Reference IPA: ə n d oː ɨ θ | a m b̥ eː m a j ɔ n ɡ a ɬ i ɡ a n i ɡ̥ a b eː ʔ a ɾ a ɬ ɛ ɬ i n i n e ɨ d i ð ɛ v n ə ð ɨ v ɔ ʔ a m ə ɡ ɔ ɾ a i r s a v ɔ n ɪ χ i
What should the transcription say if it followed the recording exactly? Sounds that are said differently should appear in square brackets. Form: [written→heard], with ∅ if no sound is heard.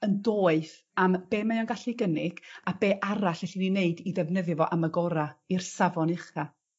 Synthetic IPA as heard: ə n d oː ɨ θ | a m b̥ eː m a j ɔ n ɡ a ɬ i ɡ [a→ə] n [i→ɪ] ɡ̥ a b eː ʔ a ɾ a ɬ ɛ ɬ i n i n e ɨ d i ð ɛ v n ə ð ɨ v ɔ ʔ a m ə ɡ ɔ ɾ a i r s a v ɔ n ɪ χ [i→a]